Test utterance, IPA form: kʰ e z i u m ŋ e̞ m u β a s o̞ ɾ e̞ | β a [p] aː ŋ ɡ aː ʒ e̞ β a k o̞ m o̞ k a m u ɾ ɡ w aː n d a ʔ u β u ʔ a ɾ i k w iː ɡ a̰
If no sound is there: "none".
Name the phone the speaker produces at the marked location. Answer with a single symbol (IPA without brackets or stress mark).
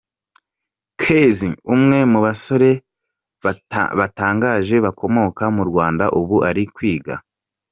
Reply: t